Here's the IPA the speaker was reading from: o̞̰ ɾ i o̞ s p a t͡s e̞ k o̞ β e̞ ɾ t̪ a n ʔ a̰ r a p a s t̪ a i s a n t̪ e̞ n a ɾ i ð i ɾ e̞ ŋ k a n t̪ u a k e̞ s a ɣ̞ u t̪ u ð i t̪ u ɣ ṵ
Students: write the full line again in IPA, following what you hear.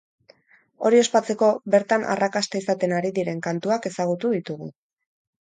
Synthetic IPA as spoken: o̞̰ ɾ i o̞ s p a t͡s e̞ k o̞ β e̞ ɾ t̪ a n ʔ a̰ r a k a s t̪ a i s a t̪ e̞ n a ɾ i ð i ɾ e̞ ŋ k a n t̪ u a k e̞ s a ɣ̞ u t̪ u ð i t̪ u ɣ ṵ